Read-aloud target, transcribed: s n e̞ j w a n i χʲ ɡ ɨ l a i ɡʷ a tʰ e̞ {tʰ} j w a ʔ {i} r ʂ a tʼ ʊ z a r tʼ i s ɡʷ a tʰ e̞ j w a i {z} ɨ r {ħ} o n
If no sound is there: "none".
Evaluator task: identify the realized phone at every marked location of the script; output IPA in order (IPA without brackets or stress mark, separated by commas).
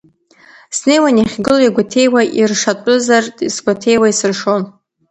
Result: none, i, s, ʂ